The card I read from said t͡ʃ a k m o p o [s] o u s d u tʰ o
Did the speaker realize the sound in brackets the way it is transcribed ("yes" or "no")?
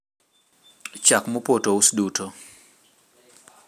no